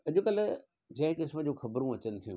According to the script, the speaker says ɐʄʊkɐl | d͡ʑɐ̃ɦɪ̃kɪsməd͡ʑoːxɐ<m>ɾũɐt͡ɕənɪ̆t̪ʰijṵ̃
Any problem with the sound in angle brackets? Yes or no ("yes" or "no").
yes